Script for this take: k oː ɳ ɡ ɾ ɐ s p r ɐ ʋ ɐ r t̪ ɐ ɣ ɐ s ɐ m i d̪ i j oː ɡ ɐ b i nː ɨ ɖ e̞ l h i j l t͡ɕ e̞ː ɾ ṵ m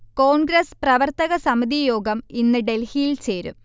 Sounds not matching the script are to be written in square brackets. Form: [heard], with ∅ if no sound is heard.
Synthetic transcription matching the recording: k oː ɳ ɡ ɾ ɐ s p r ɐ ʋ ɐ r t̪ ɐ ɣ ɐ s ɐ m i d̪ i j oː ɡ ɐ [m] i nː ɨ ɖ e̞ l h i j l t͡ɕ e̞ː ɾ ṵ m